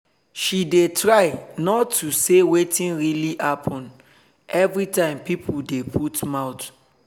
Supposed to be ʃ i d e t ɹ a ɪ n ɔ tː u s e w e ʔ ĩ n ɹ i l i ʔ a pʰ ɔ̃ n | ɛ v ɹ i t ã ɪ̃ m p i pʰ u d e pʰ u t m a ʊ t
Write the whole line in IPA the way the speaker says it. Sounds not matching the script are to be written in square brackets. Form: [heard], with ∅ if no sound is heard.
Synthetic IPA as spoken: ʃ i d e t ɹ a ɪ n ɔ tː u s e w e [t] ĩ n ɹ i l i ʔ a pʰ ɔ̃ n | ɛ v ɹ i t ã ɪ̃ m p i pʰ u d e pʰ u t m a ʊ t